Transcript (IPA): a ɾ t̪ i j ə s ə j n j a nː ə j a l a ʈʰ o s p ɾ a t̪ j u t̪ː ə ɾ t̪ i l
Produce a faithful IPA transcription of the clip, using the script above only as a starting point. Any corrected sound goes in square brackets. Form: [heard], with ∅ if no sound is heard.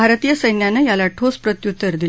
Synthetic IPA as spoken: a ɾ t̪ i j ə s ə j n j a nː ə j a l a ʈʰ o s p ɾ [ə] t̪ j u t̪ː ə ɾ [d̪] i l